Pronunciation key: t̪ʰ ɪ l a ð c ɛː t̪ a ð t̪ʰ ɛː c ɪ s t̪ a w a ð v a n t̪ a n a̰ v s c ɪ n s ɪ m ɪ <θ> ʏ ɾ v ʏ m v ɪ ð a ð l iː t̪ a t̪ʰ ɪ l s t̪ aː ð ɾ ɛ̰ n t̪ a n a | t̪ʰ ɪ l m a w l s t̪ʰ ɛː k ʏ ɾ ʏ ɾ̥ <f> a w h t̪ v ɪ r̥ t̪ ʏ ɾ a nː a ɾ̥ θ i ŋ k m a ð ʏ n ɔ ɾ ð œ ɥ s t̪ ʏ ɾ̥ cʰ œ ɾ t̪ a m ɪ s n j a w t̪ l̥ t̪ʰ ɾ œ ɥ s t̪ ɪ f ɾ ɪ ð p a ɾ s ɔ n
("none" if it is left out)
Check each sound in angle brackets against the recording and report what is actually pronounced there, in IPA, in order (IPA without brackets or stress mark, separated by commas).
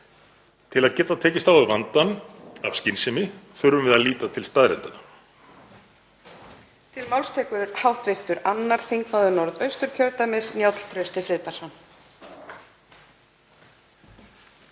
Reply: θ, h